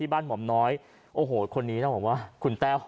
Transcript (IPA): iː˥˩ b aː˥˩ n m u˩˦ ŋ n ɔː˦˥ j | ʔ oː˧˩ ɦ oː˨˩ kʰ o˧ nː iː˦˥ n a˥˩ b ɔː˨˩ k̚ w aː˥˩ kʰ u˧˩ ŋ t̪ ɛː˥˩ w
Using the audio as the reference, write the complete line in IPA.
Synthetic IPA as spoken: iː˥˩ b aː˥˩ n m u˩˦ m n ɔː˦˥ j | ʔ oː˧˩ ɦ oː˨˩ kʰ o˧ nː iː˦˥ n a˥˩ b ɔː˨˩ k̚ w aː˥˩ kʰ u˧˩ n t̪ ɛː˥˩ w